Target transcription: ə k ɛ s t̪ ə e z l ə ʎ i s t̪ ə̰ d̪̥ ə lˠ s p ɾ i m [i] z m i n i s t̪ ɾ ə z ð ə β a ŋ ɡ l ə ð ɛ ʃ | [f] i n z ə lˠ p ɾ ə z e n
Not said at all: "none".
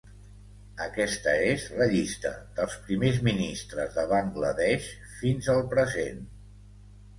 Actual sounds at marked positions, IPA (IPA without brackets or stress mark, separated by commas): e, f